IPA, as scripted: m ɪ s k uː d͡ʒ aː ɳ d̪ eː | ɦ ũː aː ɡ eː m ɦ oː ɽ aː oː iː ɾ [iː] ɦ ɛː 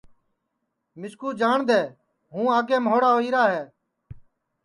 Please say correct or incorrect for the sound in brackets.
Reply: incorrect